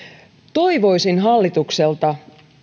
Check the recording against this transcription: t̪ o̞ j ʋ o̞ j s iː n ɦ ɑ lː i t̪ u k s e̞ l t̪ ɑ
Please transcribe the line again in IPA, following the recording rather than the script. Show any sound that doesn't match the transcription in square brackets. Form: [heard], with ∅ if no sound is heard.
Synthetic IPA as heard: t̪ o̞ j ʋ o̞ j s [i] n ɦ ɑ lː i t̪ u k s e̞ l t̪ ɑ